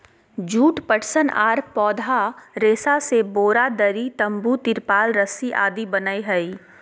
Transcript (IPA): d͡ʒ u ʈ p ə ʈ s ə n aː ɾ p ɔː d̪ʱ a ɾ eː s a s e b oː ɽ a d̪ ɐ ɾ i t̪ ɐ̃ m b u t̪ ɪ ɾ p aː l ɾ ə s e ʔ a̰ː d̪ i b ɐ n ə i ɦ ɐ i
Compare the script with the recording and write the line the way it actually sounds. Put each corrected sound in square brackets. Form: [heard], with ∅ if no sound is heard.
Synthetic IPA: d͡ʒ [uː] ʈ p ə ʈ s ə n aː ɾ p ɔː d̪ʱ a ɾ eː s a s e b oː [ɾ] a d̪ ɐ ɾ i t̪ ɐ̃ m b u t̪ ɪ ɾ p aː l ɾ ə s [i] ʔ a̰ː d̪ i b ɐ n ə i ɦ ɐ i

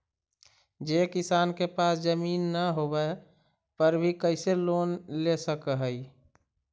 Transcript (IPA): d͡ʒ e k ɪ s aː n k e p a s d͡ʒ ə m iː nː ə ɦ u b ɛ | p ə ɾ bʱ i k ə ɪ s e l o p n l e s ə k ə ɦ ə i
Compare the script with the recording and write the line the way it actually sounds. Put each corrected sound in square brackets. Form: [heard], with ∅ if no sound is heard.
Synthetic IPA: d͡ʒ e k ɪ s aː n k e p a s d͡ʒ ə m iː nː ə ɦ [o] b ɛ | p ə ɾ bʱ i k ə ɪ s e l o [∅] n l e s ə k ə ɦ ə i

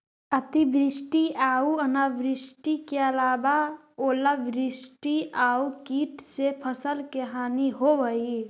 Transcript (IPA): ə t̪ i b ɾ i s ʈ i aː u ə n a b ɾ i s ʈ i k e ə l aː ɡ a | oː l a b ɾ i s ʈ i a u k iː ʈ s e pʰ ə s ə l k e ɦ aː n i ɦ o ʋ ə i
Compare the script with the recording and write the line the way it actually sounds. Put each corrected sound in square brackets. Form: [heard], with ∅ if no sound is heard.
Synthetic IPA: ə t̪ i b ɾ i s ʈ i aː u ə n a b ɾ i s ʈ i k e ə l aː [b] a | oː l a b ɾ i s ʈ i a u k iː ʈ s e pʰ ə s ə l k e ɦ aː n i ɦ o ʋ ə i

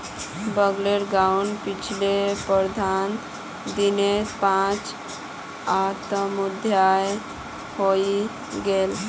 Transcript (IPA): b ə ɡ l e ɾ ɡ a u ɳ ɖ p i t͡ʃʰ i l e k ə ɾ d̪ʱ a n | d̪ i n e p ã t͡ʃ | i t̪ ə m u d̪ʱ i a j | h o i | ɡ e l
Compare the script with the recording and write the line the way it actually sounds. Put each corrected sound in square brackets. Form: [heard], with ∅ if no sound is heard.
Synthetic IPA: b ə ɡ l e ɾ ɡ a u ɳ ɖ p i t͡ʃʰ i l e [p] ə ɾ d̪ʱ a n | d̪ i n e p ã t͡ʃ | [a] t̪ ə m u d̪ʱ [j] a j | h o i | ɡ e l

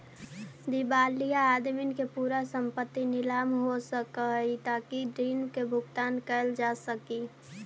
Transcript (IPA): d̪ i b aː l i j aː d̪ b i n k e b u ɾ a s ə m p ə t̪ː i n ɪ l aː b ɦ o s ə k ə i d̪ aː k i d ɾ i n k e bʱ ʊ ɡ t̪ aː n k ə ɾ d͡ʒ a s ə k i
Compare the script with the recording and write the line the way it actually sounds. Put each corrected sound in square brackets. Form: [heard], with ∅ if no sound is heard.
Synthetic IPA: d̪ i b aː l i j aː d̪ [m] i n k e [p] u ɾ a s ə m p ə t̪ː i n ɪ l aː [m] ɦ o s ə k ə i [t̪] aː k i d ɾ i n k e bʱ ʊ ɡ t̪ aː n k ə [l] d͡ʒ a s ə k i

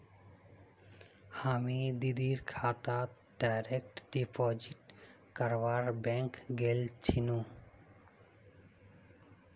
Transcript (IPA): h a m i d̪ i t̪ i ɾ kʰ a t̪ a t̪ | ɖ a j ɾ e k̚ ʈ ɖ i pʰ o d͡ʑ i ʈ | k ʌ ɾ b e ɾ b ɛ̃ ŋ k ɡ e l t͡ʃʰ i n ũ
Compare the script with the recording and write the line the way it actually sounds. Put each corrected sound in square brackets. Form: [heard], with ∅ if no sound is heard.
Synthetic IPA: h a m i d̪ i [d̪] i ɾ kʰ a t̪ a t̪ | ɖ a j ɾ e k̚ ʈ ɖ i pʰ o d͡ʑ i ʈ | k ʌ ɾ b [a] ɾ b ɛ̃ ŋ k ɡ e l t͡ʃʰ i n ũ

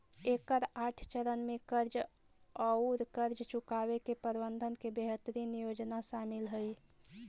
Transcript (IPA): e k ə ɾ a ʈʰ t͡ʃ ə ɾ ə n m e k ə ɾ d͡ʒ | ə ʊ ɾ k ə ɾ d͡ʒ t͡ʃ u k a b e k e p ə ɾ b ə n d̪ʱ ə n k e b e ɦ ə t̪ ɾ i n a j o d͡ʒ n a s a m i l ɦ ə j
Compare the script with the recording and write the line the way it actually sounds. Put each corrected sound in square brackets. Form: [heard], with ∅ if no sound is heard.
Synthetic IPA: e k ə ɾ a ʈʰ t͡ʃ ə ɾ ə n m e k ə ɾ d͡ʒ | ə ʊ ɾ k ə ɾ d͡ʒ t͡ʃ u k a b e k e p ə ɾ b ə n d̪ʱ ə n k e b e ɦ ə t̪ ɾ i n [i] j o d͡ʒ n a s a m i l ɦ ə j

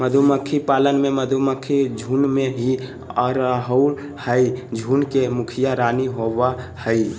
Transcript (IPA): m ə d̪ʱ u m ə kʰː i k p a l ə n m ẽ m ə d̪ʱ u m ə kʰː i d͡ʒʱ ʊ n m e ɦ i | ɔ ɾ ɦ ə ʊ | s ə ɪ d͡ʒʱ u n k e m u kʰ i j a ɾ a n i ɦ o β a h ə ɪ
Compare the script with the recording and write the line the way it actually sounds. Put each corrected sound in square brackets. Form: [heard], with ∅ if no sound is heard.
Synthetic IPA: m ə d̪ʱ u m ə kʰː i [∅] p a l ə n m [e] m ə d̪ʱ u m ə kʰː i d͡ʒʱ [u] n m e ɦ i | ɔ ɾ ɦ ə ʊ | [h] ə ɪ d͡ʒʱ u n k e m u kʰ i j a ɾ a n i ɦ o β a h ə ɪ

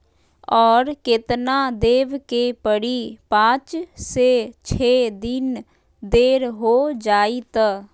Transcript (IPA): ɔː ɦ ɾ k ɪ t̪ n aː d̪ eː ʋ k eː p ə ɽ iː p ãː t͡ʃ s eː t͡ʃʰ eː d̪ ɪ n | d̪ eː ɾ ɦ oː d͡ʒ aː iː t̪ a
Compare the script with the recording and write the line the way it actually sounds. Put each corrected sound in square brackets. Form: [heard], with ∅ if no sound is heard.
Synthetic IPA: ɔː [∅] ɾ k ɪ t̪ n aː d̪ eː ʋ k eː p ə ɽ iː p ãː t͡ʃ s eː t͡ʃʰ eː d̪ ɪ n | d̪ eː ɾ ɦ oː d͡ʒ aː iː t̪ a

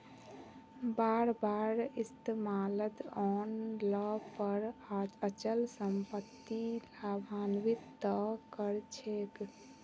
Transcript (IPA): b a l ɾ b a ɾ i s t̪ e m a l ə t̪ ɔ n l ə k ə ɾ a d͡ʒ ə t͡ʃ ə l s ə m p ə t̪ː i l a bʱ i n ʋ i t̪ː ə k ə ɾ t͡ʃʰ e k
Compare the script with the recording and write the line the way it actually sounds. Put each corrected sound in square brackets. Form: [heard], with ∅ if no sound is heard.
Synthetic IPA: b a [∅] ɾ b a ɾ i s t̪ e m a l ə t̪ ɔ n l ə [p] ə ɾ a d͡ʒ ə t͡ʃ ə l s ə m p ə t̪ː i l a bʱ [a] n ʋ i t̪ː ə k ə ɾ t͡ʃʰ e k

